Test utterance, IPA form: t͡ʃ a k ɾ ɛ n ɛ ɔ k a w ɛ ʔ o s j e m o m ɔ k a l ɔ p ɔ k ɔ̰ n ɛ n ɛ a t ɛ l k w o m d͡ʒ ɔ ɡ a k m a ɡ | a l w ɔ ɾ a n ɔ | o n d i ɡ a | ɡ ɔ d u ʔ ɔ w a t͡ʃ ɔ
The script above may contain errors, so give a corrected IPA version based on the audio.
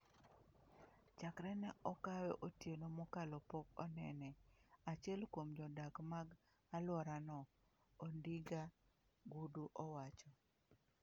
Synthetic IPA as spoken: t͡ʃ a k ɾ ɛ n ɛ ɔ k a w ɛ ʔ o t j e n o m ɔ k a l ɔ p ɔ k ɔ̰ n ɛ n ɛ a t͡ʃ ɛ l k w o m d͡ʒ ɔ d a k m a ɡ | a l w ɔ ɾ a n ɔ | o n d i ɡ a | ɡ u d u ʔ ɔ w a t͡ʃ ɔ